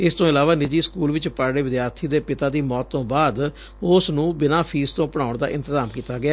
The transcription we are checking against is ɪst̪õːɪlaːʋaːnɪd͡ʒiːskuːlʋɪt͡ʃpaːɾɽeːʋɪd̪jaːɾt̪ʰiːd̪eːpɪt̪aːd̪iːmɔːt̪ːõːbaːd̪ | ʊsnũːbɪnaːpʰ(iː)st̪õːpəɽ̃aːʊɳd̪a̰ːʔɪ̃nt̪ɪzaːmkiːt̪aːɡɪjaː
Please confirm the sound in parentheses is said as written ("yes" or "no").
yes